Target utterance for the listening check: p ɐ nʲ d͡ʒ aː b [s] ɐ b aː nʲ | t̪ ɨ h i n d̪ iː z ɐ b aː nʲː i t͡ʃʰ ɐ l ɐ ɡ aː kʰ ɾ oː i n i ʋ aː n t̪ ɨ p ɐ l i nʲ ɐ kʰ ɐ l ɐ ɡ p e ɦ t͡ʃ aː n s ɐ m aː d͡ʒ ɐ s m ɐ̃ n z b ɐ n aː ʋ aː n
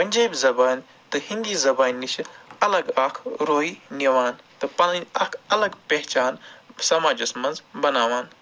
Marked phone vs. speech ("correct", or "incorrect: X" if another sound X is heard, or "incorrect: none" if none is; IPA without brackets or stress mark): incorrect: z